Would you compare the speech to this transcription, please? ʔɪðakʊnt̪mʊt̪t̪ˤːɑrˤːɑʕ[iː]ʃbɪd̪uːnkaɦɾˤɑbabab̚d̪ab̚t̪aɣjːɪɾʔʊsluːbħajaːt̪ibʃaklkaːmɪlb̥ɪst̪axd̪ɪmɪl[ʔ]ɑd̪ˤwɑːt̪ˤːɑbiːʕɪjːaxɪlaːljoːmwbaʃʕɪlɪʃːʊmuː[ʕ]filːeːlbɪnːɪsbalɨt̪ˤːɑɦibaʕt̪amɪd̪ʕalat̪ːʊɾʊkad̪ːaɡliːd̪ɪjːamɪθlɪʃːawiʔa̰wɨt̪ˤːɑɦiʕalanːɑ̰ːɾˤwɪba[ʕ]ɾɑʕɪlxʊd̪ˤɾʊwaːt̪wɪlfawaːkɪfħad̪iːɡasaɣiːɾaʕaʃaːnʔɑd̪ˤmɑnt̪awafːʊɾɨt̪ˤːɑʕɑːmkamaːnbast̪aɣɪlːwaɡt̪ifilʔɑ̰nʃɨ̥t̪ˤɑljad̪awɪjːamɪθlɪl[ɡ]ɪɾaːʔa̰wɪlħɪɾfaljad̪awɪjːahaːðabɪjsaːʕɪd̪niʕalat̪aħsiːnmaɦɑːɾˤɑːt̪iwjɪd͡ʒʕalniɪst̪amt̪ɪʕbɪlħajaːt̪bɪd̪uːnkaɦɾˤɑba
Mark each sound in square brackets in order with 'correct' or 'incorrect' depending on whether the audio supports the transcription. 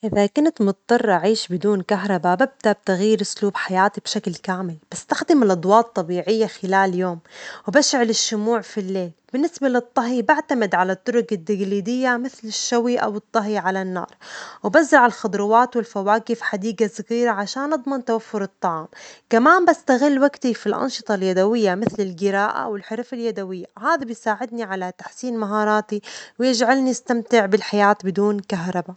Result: correct, correct, correct, incorrect: z, correct

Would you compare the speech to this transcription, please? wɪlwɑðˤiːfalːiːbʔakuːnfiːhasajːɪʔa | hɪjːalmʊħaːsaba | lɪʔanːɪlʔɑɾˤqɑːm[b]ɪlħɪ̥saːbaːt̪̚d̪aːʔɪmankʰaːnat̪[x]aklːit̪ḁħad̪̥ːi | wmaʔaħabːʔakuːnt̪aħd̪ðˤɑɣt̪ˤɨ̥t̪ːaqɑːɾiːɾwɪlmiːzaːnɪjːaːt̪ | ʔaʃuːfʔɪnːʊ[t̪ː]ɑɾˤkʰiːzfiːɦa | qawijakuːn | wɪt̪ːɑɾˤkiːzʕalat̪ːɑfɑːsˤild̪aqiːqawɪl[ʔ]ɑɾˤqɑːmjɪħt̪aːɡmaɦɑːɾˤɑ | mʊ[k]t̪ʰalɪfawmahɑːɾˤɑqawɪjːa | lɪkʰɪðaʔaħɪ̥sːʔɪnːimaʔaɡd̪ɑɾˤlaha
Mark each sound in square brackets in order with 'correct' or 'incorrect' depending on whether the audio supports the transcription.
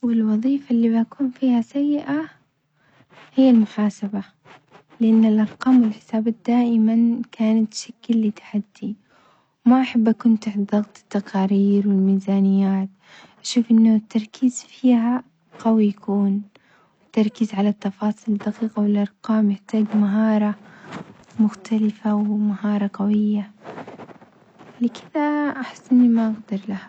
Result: incorrect: w, incorrect: ʃ, correct, correct, incorrect: x

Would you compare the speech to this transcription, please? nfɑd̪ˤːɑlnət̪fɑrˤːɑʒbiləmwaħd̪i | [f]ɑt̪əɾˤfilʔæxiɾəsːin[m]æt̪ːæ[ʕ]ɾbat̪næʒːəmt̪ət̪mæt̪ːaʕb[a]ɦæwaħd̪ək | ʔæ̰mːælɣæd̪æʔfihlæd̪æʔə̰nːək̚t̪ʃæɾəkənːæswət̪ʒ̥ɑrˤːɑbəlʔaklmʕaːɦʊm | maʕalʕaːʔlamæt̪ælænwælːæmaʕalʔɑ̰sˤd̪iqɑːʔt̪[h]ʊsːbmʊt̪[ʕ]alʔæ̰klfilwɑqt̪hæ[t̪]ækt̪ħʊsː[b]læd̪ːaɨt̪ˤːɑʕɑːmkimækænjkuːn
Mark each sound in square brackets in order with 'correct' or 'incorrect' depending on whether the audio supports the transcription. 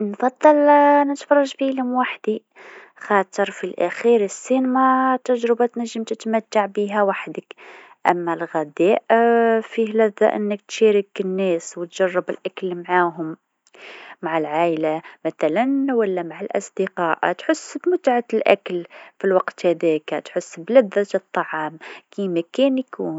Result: incorrect: x, correct, incorrect: ʒ, incorrect: i, incorrect: ħ, correct, incorrect: d̪, correct

